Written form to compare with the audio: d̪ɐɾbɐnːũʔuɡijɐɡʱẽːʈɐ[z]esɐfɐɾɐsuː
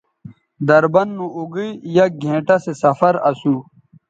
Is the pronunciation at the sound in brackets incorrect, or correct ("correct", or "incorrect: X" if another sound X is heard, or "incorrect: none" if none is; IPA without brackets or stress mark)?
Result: incorrect: s